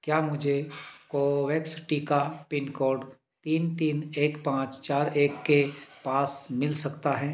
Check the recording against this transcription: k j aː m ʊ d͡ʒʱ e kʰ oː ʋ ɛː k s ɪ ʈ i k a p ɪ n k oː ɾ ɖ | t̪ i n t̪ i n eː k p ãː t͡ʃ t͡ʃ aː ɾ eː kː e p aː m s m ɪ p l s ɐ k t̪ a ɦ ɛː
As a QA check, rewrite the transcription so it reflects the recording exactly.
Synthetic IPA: k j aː m ʊ d͡ʒʱ e k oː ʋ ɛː k s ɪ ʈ i k a p ɪ n k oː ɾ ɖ | t̪ iː n t̪ iː n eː k p ãː t͡ʃ t͡ʃ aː ɾ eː kː e p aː s m ɪ l s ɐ k t̪ a ɦ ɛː